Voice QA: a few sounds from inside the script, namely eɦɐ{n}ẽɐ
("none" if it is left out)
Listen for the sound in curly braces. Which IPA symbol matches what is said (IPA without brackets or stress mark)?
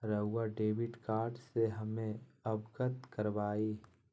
m